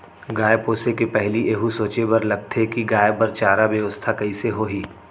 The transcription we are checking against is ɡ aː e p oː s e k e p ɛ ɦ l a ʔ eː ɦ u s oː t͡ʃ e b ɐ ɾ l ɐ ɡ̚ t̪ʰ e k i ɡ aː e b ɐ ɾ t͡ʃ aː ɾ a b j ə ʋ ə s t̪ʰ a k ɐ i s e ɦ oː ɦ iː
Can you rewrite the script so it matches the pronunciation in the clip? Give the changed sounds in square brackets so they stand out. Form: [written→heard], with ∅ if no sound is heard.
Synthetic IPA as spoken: ɡ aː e p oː s e k e p ɛ ɦ l [a→i] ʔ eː ɦ u s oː t͡ʃ e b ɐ ɾ l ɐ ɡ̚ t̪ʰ e k i ɡ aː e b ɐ ɾ t͡ʃ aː ɾ a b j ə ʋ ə s t̪ʰ a k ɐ i s e ɦ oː ɦ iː